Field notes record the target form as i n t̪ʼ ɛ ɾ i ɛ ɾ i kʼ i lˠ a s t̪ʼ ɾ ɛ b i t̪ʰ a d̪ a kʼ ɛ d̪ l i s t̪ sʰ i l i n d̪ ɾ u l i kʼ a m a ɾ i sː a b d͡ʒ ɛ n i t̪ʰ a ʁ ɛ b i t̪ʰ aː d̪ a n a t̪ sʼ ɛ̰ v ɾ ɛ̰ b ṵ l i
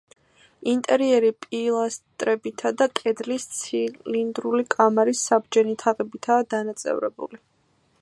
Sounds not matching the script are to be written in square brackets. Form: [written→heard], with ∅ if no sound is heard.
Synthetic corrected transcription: i n t̪ʼ ɛ ɾ i ɛ ɾ i [kʼ→pʼ] i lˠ a s t̪ʼ ɾ ɛ b i t̪ʰ a d̪ a kʼ ɛ d̪ l i s t̪ sʰ i l i n d̪ ɾ u l i kʼ a m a ɾ i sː a b d͡ʒ ɛ n i t̪ʰ a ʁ ɛ b i t̪ʰ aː d̪ a n a t̪ sʼ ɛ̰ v ɾ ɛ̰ b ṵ l i